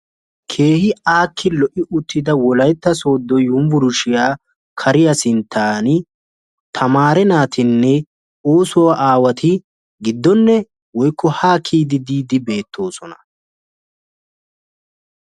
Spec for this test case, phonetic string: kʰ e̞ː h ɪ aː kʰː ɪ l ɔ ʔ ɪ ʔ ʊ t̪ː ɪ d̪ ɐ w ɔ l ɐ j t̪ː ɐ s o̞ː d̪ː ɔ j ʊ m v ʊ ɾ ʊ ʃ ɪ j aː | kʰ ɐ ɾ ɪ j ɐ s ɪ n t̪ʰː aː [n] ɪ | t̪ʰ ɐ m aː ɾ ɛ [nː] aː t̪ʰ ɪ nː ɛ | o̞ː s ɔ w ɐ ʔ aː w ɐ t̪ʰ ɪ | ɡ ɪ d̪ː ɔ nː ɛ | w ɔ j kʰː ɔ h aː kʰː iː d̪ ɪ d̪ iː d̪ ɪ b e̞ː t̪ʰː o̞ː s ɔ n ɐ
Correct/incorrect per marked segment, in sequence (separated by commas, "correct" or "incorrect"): correct, incorrect